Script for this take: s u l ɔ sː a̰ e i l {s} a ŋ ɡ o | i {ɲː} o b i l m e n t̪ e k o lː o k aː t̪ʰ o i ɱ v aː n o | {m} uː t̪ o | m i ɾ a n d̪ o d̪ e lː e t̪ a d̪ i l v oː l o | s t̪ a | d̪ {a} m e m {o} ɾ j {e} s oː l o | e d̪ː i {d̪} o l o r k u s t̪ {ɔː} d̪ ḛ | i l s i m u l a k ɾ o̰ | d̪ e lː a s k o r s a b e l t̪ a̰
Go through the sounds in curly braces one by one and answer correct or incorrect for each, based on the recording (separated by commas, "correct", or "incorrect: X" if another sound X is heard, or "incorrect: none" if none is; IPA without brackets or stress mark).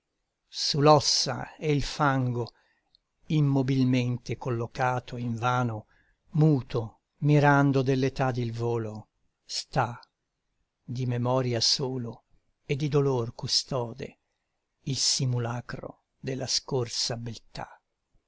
incorrect: f, incorrect: mː, correct, incorrect: i, incorrect: ɔ, incorrect: a, correct, correct